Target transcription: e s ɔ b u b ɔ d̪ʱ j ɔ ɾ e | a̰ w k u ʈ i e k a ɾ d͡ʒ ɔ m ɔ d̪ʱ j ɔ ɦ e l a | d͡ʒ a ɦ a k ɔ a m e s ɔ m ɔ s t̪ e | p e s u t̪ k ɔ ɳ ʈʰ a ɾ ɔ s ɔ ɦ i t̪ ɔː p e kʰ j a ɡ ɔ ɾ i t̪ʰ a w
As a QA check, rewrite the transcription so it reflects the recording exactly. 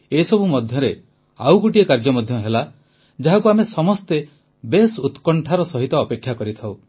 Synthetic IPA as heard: e s ɔ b u m ɔ d̪ʱ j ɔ ɾ e | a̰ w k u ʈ i e k a ɾ d͡ʒ ɔ m ɔ d̪ʱ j ɔ ɦ e l a | d͡ʒ a ɦ a k u a m e s ɔ m ɔ s t̪ e | b e s u t̪ k ɔ ɳ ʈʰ a ɾ ɔ s ɔ ɦ i t̪ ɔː p e kʰ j a k ɔ ɾ i t̪ʰ a w